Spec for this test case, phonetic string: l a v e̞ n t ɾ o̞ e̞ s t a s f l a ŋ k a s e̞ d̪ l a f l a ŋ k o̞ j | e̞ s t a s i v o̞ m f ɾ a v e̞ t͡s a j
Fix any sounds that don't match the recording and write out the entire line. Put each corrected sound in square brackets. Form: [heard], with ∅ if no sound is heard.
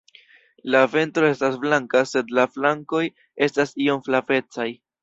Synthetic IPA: l a v e̞ n t ɾ o̞ e̞ s t a s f l a ŋ k a s e̞ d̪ l a f l a ŋ k o̞ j | e̞ s t a s i [∅] o̞ m f [l] a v e̞ t͡s a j